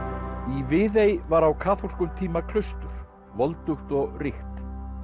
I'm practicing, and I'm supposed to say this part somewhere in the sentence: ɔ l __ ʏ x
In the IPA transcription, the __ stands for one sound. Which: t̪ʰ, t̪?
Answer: t̪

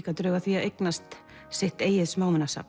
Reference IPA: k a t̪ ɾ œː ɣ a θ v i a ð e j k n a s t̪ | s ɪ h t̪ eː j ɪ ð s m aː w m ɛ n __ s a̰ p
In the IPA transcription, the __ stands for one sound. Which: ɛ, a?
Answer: a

